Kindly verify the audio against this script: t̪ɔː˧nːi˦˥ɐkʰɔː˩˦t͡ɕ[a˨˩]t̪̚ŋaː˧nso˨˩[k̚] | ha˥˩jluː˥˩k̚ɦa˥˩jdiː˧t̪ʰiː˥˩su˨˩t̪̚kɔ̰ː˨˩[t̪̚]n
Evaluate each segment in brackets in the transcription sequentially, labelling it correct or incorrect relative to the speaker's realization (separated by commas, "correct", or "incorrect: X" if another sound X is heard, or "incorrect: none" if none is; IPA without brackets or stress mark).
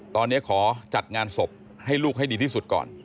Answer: correct, incorrect: p̚, incorrect: none